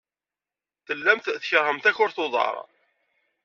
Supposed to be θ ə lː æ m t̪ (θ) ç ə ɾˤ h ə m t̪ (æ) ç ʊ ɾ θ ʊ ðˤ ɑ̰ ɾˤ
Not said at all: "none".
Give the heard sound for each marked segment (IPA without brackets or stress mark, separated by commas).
θ, æ